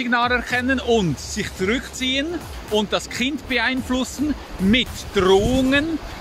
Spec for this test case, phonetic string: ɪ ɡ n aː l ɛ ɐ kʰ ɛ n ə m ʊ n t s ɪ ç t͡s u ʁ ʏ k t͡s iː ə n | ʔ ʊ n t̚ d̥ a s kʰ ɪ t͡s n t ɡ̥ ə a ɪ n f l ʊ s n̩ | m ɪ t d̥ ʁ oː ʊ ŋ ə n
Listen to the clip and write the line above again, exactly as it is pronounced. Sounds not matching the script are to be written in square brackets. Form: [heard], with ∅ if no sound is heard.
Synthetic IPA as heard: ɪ ɡ n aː l ɛ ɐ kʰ ɛ n ə [n] ʊ n t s ɪ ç t͡s u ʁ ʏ k t͡s iː ə n | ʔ ʊ n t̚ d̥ a s kʰ ɪ [∅] n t [b̥] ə a ɪ n f l ʊ s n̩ | m ɪ t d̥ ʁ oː ʊ ŋ ə n